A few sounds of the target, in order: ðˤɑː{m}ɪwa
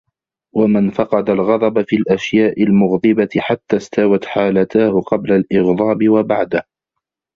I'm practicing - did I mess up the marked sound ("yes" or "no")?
yes